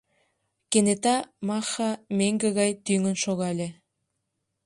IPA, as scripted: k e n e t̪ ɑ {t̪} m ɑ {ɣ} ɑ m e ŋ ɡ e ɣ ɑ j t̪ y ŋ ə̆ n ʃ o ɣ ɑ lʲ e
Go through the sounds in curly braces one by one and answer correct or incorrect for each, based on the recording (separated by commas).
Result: incorrect, incorrect